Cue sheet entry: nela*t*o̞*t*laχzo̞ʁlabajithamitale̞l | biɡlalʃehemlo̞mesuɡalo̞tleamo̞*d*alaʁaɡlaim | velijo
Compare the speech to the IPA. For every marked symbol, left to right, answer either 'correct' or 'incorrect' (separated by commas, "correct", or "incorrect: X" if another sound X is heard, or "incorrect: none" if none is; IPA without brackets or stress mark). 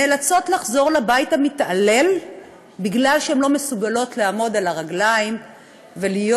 incorrect: t͡s, correct, correct